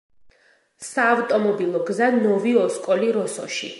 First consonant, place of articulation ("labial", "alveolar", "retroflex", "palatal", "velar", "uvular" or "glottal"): alveolar